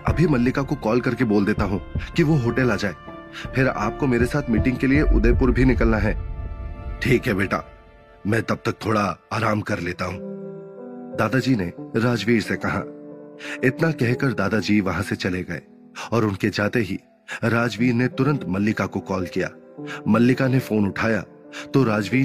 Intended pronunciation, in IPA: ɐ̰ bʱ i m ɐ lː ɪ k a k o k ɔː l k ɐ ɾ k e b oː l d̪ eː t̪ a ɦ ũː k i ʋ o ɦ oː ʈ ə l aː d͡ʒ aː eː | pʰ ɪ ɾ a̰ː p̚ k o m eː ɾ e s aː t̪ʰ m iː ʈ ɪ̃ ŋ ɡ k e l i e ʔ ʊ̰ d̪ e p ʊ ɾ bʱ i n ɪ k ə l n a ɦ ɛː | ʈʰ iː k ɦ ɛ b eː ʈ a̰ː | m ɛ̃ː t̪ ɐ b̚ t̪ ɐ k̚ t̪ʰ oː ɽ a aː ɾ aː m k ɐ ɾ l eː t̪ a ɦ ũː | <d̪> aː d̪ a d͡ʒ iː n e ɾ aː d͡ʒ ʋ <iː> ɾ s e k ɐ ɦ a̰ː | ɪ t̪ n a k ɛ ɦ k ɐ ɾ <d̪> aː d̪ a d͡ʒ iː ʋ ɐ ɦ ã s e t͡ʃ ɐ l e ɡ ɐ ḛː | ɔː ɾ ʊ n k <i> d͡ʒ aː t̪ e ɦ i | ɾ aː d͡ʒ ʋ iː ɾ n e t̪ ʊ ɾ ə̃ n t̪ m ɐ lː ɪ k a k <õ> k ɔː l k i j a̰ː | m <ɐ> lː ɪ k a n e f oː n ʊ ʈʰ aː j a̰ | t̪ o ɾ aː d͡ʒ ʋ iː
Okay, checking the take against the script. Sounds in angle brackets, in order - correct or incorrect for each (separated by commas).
correct, correct, correct, incorrect, incorrect, correct